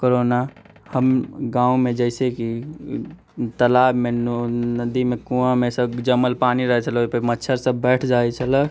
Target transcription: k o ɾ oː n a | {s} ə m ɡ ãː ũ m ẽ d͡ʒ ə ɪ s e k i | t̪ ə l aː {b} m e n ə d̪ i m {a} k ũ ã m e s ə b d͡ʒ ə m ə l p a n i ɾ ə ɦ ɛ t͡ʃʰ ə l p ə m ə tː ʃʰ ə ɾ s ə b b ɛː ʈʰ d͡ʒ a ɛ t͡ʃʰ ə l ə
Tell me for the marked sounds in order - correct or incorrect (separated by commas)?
incorrect, correct, incorrect